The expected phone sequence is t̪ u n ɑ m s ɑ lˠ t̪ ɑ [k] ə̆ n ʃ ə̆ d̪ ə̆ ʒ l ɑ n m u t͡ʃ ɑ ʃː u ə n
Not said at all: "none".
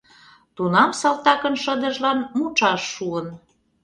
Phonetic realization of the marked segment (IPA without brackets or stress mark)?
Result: k